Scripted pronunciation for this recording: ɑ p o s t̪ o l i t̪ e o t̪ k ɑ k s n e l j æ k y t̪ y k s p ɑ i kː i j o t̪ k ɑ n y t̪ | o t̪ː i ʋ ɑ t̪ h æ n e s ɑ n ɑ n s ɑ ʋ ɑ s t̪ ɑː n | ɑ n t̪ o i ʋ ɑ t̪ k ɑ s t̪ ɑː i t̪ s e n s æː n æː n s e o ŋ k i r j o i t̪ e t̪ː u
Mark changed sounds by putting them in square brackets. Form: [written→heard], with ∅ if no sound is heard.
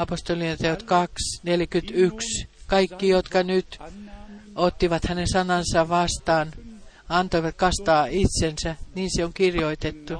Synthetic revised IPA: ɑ p o s t̪ o l i t̪ e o t̪ k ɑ k s n e l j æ k y t̪ y k s [p→k] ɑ i kː i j o t̪ k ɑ n y t̪ | o t̪ː i ʋ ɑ t̪ h æ n e s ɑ n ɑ n s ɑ ʋ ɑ s t̪ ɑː n | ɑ n t̪ o i ʋ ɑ t̪ k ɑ s t̪ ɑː i t̪ s e n s [æː→æ] n [æː→iː] n s e o ŋ k i r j o i t̪ e t̪ː u